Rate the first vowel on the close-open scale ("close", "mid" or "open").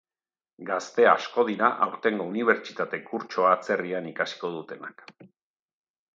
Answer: open